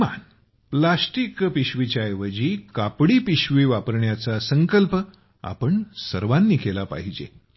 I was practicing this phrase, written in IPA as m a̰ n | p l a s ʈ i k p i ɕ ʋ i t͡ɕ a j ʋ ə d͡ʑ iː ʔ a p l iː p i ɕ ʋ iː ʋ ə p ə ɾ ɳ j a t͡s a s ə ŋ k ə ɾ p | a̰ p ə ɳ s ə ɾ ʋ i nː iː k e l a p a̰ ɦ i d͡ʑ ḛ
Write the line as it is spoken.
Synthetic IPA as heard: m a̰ n | p l a s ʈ i k p i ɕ ʋ i t͡ɕ a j ʋ ə d͡ʑ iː k a p ɽ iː p i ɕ ʋ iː ʋ a p ə ɾ ɳ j a t͡s a s ə ŋ k ə l p | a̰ p ə ɳ s ə ɾ ʋ a nː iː k e l a p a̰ ɦ i d͡ʑ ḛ